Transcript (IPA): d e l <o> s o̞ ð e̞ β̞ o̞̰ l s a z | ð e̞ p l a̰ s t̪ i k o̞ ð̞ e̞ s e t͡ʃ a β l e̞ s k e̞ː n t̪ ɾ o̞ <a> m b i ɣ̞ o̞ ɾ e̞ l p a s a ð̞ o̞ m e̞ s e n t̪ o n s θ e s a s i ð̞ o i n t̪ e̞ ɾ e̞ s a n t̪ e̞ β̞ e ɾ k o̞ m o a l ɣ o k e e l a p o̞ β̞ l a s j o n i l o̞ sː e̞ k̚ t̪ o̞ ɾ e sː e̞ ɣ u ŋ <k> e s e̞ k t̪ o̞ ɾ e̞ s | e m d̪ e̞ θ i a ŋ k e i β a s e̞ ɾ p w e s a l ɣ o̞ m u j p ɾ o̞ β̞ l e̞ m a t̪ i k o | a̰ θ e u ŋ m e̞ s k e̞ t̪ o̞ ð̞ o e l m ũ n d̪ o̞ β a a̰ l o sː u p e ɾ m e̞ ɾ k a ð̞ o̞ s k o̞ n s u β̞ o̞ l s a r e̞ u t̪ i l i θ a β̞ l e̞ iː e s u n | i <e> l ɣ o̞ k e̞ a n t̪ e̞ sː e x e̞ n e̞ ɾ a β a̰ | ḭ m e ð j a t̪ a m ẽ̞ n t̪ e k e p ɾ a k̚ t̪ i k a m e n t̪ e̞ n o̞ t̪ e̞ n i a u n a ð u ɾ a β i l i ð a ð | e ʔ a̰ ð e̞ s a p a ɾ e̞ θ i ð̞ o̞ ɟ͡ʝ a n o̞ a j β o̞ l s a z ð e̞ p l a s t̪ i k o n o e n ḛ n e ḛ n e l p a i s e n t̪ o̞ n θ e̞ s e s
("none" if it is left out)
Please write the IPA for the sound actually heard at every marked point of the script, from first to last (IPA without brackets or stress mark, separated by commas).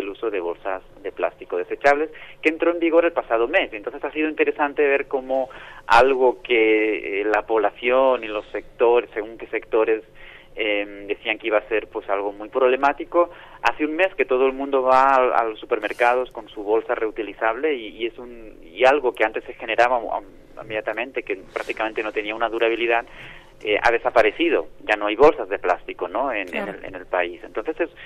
u, e, k, a